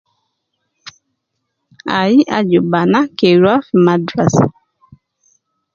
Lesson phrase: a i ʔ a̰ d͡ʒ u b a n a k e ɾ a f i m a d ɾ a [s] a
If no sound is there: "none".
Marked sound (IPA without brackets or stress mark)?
s